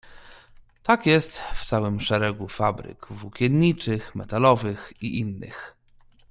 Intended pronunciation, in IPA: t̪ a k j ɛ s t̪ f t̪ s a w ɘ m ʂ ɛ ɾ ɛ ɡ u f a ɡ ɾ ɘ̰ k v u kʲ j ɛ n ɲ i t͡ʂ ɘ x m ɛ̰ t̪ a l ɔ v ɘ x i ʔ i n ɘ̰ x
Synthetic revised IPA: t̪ a k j ɛ s t̪ f t̪ s a w ɘ m ʂ ɛ ɾ ɛ ɡ u f a b ɾ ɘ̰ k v u kʲ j ɛ n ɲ i t͡ʂ ɘ x m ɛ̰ t̪ a l ɔ v ɘ x i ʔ i nː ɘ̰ x